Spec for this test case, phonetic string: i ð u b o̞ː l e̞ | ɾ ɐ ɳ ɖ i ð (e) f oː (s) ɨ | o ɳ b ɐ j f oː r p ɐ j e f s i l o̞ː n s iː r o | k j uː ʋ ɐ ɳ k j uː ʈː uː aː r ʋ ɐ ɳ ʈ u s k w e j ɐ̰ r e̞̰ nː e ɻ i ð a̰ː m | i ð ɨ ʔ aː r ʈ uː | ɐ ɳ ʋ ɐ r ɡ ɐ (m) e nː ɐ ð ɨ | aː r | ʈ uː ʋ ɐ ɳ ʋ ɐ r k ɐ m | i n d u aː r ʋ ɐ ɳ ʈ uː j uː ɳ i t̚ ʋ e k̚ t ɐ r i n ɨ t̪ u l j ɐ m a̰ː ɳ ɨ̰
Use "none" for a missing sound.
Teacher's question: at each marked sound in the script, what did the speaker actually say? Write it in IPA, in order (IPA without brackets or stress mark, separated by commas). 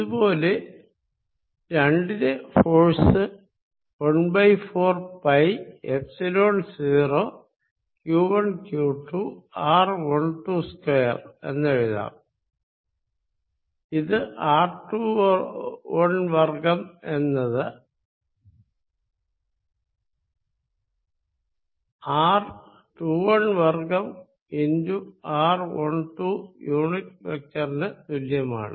e, s, m